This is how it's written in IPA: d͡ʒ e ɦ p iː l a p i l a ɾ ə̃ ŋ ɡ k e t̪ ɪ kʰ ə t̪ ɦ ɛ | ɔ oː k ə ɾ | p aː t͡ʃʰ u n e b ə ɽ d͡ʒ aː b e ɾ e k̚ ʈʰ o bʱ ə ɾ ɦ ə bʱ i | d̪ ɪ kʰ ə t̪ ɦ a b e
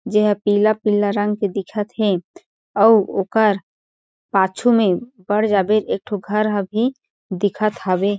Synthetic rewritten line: d͡ʒ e ɦ p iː l a p i l a ɾ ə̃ ŋ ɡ k e d̪ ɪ kʰ ə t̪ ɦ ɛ | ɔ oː k ə ɾ | p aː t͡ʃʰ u m e b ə ɽ d͡ʒ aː b e ɾ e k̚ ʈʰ o ɡʱ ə ɾ ɦ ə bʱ i | d̪ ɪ kʰ ə t̪ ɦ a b e